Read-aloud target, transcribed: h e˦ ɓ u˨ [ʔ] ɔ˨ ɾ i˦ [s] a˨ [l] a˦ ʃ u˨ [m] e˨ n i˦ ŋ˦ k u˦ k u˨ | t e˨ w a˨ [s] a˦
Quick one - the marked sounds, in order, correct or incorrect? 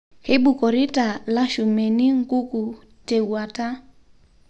incorrect: k, incorrect: t, correct, correct, incorrect: t

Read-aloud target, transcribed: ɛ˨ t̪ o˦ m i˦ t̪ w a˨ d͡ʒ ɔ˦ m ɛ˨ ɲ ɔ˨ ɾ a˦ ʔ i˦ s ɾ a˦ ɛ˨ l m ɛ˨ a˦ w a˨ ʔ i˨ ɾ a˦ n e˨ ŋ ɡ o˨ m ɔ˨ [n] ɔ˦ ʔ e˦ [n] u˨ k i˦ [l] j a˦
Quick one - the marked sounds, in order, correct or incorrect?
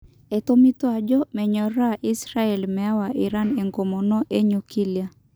correct, incorrect: ɲ, correct

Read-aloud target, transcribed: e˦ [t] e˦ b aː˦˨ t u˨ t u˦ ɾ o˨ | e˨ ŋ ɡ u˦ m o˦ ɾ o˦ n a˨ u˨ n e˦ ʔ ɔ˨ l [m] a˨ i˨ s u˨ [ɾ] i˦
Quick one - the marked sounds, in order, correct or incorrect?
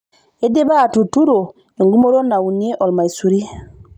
incorrect: d, correct, correct

